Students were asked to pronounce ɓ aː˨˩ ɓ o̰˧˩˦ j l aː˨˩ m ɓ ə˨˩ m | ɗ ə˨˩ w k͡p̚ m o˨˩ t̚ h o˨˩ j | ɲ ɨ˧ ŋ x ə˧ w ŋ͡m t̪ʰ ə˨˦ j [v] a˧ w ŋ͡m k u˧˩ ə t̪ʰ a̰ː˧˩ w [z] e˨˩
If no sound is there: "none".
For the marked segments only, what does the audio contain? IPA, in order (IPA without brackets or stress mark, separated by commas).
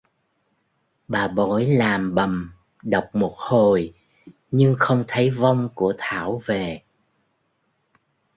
v, v